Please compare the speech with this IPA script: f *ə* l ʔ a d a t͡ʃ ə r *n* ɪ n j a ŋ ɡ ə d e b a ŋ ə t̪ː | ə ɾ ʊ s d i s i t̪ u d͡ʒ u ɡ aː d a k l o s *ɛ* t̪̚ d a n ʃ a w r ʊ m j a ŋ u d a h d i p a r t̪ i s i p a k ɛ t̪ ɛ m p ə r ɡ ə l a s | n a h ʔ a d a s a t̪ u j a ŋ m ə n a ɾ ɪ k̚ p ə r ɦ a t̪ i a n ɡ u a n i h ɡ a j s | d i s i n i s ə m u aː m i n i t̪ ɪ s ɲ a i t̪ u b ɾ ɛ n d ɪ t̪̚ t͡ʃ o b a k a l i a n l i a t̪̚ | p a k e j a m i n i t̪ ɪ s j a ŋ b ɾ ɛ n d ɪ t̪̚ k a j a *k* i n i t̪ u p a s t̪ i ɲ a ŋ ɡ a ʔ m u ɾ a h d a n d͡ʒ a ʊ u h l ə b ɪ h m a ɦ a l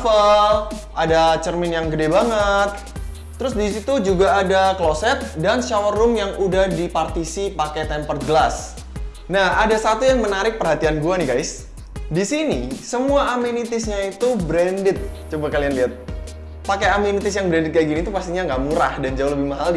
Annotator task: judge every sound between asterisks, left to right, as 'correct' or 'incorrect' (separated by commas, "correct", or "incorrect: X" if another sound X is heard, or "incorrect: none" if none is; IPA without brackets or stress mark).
correct, incorrect: m, correct, incorrect: ɡ